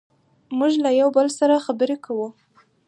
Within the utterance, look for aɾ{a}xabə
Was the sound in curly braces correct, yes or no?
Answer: yes